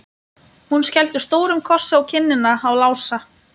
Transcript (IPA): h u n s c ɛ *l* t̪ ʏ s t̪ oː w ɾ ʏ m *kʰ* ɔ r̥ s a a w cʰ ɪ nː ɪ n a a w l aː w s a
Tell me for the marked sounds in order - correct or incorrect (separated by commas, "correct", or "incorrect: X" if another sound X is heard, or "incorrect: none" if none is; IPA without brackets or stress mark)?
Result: correct, correct